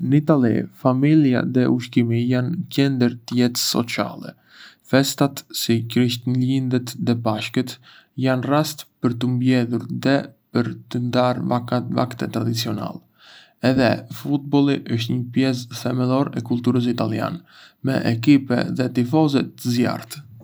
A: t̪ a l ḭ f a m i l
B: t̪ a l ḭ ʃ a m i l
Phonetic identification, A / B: A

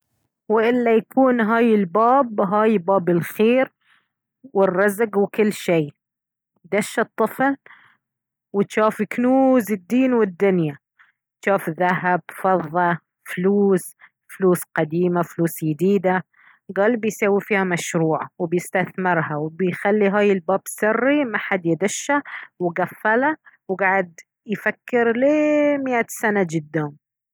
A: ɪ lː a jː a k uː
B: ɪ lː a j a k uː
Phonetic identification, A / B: B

